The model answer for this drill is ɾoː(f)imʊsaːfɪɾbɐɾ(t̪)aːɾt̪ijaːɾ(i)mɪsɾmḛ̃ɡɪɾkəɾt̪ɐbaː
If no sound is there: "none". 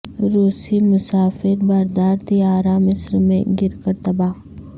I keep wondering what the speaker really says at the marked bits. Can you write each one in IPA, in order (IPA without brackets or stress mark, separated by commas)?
s, d̪, a